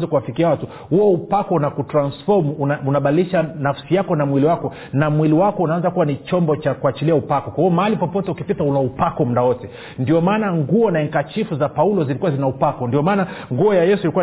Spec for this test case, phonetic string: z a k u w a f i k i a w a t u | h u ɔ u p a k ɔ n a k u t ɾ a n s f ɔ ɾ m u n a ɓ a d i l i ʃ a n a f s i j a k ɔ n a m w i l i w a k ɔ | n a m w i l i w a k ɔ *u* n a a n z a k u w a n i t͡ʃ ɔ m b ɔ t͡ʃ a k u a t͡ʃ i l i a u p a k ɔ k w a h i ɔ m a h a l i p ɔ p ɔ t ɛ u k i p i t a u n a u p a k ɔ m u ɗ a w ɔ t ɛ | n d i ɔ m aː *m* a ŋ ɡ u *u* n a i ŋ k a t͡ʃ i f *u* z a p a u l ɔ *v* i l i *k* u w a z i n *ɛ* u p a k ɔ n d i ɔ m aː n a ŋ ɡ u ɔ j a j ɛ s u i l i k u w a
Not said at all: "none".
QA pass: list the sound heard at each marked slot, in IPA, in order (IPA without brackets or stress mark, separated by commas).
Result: u, n, ɔ, u, z, k, a